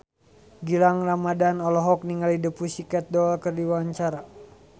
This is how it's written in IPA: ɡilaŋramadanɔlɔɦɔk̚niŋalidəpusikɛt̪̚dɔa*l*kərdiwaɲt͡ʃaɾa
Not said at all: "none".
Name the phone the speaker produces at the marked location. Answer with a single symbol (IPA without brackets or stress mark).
l